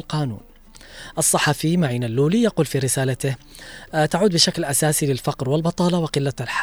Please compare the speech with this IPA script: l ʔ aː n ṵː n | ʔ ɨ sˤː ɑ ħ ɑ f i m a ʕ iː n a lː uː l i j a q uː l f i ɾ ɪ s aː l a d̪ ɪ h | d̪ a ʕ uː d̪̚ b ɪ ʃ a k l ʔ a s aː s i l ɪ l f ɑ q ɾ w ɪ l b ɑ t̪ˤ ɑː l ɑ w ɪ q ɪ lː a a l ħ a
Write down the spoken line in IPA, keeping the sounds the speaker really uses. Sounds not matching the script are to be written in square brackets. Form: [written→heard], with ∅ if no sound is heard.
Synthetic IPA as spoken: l [ʔ→q] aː n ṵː n | ʔ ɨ sˤː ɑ ħ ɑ f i m a ʕ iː n a lː uː l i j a q uː l f i ɾ ɪ s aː l a [d̪→t̪] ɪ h | [d̪→t̪] a ʕ uː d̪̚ b ɪ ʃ a k l ʔ a s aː s i l ɪ l f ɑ q ɾ w ɪ l b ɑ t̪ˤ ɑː l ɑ w ɪ q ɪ lː a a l ħ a